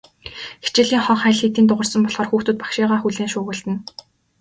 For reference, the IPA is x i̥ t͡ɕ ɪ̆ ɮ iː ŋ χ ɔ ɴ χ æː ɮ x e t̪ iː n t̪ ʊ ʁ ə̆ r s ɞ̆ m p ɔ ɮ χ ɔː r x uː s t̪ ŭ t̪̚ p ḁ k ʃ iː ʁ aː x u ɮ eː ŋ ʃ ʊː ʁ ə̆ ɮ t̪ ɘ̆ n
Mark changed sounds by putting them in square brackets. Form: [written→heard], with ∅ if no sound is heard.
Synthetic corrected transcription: x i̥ t͡ɕ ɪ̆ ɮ iː ŋ χ ɔ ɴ χ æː ɮ x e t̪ iː n t̪ ʊ ʁ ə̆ r s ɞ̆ m p ɔ ɮ χ ɔː r x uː [s→x] t̪ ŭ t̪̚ p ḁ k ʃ iː ʁ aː x u ɮ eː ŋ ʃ ʊː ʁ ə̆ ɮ t̪ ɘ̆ n